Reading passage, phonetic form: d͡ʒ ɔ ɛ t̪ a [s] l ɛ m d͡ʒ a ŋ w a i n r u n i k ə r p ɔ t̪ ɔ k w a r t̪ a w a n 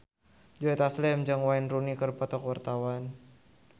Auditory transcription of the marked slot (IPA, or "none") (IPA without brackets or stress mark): s